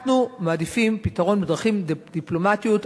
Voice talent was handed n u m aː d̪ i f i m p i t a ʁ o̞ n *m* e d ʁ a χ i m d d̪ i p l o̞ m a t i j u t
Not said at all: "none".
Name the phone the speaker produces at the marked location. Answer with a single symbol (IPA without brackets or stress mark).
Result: b